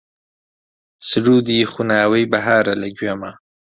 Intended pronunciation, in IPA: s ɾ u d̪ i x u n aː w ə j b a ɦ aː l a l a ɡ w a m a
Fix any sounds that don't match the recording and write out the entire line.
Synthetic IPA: s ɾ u d̪ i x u n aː w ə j b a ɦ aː ɾ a l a ɡ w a m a